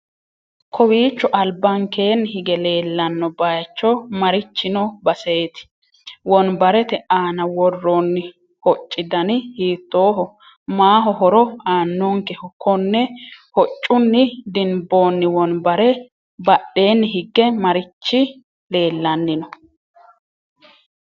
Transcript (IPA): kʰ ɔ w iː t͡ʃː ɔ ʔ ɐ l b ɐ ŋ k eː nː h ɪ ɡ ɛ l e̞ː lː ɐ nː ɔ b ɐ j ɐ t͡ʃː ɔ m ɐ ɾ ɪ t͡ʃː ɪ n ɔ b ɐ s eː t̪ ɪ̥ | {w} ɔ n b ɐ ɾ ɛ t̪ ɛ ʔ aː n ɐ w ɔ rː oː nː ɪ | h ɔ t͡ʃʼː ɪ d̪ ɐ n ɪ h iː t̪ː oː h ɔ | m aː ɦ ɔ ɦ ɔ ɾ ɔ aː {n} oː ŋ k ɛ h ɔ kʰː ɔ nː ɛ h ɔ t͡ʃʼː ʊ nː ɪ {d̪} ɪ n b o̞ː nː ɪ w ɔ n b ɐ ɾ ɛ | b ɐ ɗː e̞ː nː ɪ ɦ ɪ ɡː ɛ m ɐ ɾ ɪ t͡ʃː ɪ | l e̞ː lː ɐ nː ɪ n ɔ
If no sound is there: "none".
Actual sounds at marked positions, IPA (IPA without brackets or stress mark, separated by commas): w, nː, d̪